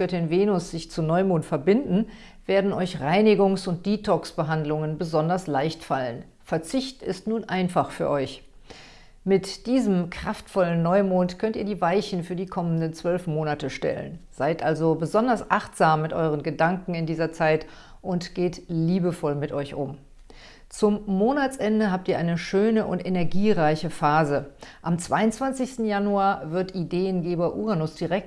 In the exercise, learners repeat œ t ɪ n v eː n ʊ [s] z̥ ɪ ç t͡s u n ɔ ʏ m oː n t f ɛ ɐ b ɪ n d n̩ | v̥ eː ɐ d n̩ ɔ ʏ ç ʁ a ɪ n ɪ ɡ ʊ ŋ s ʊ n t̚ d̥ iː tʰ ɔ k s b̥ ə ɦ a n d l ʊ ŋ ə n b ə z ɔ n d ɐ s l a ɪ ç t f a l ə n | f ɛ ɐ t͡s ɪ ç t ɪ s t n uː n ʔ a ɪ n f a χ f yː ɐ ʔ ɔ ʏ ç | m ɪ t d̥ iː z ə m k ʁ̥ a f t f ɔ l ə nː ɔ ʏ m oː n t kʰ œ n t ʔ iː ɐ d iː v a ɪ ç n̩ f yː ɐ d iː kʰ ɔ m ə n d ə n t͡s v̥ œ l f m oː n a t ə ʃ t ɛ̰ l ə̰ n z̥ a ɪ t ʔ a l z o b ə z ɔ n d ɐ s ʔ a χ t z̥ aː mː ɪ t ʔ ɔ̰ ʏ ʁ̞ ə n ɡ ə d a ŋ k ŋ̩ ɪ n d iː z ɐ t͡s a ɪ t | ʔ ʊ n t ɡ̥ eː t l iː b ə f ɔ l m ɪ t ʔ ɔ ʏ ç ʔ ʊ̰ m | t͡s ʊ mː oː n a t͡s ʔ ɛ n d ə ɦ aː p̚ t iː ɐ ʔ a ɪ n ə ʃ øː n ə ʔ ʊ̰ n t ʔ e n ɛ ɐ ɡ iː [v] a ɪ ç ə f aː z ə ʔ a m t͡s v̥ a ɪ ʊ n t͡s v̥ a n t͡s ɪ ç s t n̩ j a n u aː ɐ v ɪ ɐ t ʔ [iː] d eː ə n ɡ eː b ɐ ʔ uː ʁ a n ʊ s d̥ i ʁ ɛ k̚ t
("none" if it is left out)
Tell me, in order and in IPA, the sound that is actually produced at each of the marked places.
s, ʁ, i

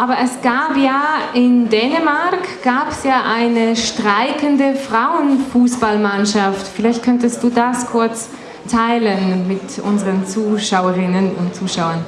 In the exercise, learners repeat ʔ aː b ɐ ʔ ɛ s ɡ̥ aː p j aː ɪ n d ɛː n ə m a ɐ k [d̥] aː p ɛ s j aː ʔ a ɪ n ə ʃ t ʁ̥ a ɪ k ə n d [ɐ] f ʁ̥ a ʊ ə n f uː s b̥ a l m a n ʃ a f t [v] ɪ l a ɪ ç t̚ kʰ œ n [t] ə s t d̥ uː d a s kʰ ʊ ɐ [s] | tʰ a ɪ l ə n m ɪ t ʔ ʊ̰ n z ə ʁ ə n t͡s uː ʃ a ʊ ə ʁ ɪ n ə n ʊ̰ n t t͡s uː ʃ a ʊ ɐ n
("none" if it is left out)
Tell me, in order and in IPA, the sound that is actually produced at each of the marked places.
ɡ̥, ə, f, t, t͡s

